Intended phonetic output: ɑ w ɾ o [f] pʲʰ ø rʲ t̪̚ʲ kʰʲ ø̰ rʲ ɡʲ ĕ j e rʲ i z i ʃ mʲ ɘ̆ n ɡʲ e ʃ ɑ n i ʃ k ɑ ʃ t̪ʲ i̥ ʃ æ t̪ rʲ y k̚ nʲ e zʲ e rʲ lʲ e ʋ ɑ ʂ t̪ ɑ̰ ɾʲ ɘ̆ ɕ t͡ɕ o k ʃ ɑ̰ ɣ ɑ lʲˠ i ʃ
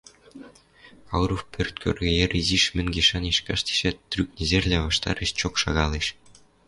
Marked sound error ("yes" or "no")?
no